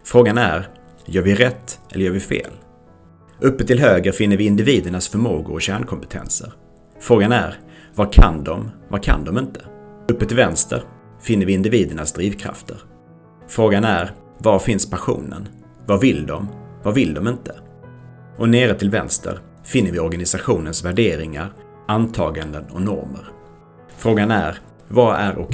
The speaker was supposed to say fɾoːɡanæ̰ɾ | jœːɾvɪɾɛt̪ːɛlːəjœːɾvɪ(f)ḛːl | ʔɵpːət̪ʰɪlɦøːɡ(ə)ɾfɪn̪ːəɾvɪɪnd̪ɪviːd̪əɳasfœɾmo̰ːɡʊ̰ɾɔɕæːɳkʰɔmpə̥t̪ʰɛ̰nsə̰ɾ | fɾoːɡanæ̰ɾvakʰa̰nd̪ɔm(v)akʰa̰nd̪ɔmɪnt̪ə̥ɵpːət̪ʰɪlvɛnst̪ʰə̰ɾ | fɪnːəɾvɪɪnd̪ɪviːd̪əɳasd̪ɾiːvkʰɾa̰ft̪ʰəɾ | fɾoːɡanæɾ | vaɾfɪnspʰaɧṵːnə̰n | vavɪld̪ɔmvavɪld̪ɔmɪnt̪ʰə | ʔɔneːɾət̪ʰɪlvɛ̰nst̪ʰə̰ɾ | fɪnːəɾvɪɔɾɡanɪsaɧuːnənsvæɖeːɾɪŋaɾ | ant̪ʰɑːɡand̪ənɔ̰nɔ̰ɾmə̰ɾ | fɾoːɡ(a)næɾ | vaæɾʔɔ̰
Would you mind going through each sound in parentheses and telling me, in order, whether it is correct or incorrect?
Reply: correct, correct, correct, correct

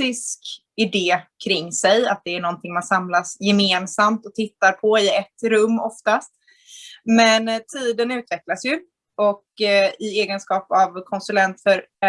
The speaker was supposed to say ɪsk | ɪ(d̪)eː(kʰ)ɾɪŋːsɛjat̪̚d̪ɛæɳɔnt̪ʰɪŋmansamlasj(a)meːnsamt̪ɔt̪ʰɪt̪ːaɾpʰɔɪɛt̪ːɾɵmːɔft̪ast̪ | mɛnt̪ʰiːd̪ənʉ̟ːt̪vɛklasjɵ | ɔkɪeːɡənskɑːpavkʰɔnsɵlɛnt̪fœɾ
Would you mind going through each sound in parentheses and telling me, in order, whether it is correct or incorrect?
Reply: correct, correct, incorrect

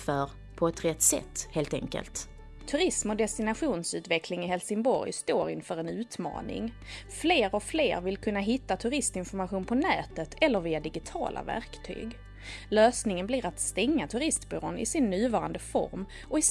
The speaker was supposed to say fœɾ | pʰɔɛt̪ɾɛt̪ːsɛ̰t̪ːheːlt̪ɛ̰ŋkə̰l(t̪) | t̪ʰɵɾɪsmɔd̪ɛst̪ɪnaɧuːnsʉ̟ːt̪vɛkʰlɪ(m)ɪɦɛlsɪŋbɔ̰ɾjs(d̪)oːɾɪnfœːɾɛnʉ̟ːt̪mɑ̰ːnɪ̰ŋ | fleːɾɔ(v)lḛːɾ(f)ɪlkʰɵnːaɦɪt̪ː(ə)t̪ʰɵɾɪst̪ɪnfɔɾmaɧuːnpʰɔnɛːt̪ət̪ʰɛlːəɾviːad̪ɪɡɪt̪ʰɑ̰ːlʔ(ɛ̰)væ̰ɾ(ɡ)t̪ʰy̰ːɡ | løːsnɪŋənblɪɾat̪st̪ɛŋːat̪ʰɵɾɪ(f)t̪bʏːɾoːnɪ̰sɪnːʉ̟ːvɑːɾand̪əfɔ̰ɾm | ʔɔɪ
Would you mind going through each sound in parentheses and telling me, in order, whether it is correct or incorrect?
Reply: correct, incorrect, incorrect, incorrect, incorrect, incorrect, incorrect, incorrect, incorrect

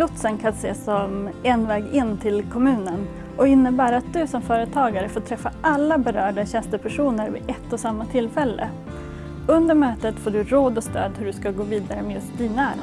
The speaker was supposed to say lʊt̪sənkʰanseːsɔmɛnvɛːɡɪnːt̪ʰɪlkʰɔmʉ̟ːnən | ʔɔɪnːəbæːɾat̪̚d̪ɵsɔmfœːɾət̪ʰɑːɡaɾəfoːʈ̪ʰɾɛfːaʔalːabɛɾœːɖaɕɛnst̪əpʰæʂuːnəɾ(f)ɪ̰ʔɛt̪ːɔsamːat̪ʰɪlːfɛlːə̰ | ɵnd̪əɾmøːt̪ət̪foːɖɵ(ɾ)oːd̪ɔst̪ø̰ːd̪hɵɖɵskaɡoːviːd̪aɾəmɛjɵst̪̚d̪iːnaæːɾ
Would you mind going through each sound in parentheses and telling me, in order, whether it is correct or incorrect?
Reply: incorrect, correct

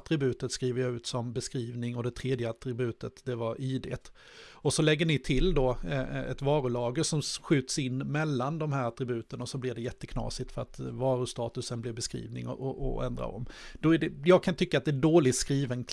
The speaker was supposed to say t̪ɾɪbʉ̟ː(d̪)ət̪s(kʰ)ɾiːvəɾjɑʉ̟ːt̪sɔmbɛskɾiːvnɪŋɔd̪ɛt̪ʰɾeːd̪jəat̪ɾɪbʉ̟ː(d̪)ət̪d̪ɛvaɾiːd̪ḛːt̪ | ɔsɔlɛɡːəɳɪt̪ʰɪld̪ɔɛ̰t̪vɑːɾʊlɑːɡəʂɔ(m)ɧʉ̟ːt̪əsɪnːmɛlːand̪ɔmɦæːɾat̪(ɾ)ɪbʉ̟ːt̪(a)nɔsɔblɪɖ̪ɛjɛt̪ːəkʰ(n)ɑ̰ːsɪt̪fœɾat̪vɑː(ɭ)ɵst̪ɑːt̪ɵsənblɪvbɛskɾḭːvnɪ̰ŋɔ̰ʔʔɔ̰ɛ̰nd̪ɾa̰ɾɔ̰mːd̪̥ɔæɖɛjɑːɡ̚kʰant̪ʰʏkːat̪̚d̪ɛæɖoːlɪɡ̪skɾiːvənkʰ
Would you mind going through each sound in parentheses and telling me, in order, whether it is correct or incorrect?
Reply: incorrect, incorrect, incorrect, correct, correct, incorrect, correct, incorrect

